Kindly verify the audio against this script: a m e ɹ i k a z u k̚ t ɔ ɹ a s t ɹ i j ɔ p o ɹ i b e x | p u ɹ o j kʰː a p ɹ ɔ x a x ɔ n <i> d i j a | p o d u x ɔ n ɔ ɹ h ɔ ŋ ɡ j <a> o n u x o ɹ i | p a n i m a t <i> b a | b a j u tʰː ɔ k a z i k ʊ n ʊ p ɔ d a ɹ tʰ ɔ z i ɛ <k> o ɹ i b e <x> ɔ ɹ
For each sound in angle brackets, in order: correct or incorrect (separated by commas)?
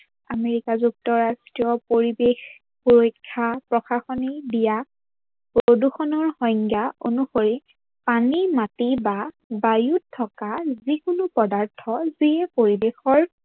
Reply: correct, correct, correct, incorrect, correct